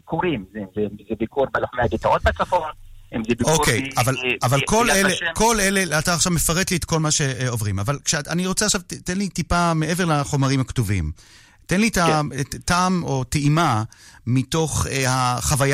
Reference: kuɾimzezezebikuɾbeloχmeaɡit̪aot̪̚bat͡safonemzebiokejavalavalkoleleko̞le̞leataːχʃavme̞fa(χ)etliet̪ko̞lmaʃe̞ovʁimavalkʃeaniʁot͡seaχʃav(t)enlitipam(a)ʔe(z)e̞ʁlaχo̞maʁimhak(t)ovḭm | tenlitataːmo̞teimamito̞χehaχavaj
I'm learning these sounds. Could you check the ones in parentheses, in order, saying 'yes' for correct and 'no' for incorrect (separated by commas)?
no, yes, no, no, yes